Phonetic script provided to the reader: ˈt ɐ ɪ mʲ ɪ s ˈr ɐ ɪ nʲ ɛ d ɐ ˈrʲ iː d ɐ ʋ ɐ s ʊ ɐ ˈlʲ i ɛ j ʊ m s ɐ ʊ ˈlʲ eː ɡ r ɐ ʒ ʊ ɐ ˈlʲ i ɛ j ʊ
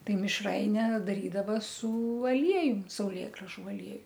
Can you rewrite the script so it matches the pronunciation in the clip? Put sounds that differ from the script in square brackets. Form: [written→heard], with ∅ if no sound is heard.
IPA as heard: ˈt ɐ ɪ mʲ ɪ [s→ʃ] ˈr ɐ ɪ nʲ ɛ d ɐ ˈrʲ iː d ɐ ʋ ɐ s ʊ ɐ ˈlʲ i ɛ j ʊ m s ɐ ʊ ˈlʲ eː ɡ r ɐ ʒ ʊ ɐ ˈlʲ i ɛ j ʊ